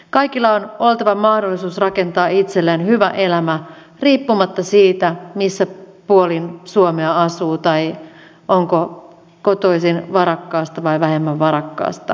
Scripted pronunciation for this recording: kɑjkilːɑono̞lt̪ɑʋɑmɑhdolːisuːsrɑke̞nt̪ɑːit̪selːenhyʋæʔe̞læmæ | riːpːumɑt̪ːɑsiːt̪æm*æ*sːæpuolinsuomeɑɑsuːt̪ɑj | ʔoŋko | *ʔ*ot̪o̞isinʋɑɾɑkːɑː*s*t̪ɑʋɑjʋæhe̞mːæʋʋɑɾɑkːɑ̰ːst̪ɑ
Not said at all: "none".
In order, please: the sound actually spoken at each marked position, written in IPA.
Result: i, k, s

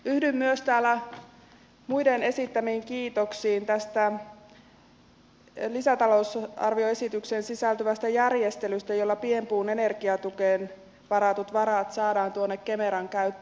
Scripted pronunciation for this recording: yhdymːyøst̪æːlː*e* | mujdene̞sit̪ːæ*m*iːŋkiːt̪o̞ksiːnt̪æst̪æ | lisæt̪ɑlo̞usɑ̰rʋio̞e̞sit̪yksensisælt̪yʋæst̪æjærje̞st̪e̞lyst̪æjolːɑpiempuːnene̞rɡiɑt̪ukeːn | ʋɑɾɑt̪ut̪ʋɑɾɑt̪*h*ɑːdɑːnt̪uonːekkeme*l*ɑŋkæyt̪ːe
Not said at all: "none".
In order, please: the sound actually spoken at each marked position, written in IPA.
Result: æ, m, s, ɾ

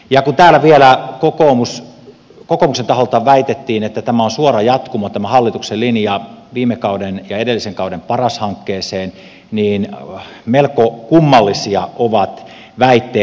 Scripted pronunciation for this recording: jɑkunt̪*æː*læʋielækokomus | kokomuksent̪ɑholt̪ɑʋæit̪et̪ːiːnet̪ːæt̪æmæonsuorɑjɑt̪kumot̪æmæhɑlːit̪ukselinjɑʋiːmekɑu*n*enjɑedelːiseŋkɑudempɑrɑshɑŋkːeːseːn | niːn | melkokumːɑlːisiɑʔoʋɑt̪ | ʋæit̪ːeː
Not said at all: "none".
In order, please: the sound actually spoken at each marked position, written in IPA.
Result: æː, d

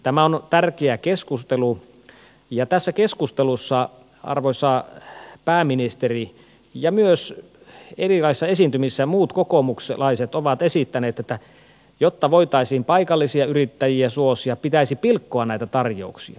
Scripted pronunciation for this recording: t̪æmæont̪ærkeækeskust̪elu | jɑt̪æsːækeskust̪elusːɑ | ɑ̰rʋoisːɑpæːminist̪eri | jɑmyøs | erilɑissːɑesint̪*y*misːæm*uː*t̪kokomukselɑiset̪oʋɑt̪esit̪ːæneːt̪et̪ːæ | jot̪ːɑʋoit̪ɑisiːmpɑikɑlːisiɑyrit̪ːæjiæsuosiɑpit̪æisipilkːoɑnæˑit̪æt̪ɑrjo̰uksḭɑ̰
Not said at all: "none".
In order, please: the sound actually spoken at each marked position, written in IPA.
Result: y, uː

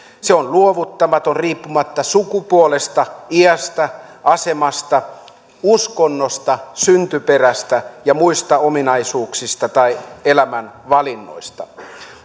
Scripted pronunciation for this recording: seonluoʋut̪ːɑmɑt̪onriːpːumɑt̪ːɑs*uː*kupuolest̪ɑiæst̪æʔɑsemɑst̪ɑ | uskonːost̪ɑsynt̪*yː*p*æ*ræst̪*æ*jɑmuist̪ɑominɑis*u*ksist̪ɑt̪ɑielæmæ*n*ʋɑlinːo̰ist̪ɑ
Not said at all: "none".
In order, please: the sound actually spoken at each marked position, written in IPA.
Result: u, y, e, æ, uː, n

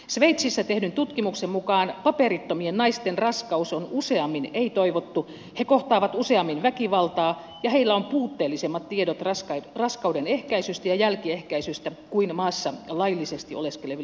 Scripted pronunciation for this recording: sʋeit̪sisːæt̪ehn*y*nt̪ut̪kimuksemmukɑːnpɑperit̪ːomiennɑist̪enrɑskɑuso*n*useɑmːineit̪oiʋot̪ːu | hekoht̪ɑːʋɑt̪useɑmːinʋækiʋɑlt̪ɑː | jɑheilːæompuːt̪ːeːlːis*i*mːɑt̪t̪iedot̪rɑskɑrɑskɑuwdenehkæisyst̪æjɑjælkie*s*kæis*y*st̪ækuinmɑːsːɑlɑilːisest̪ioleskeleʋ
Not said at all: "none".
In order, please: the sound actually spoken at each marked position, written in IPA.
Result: y, n, e, h, y

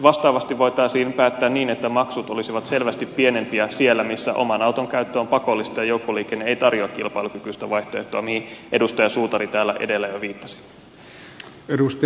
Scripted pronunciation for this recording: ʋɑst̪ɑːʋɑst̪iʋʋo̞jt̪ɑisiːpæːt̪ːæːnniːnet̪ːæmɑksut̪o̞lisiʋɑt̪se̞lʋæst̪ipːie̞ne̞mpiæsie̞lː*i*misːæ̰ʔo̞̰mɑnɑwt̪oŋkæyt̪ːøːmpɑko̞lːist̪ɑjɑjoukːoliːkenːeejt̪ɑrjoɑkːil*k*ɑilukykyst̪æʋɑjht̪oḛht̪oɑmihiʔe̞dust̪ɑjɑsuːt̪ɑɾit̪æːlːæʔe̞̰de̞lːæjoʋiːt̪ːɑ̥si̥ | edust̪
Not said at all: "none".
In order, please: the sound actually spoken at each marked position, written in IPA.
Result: æ, p

